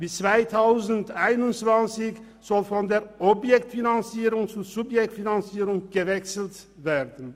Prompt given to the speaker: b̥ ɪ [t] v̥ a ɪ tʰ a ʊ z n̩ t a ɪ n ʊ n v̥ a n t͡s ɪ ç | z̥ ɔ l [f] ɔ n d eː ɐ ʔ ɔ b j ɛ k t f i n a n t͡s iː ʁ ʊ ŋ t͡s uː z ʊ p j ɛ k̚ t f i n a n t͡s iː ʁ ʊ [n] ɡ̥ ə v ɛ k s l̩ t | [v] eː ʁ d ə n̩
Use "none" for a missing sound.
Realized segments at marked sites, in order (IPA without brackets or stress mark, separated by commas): t͡s, f, ŋ, v